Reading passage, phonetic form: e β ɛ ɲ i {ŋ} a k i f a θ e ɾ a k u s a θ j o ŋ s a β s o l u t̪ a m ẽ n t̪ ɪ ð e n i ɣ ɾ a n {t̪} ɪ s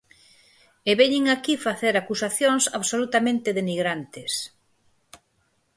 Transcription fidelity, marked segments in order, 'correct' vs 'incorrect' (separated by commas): correct, correct